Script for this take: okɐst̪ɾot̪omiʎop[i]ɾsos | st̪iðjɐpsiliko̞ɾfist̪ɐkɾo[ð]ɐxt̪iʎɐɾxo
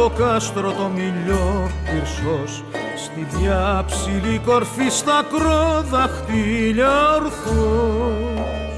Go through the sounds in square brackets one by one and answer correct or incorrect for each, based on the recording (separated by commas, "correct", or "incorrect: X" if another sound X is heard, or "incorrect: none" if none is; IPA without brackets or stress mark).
correct, correct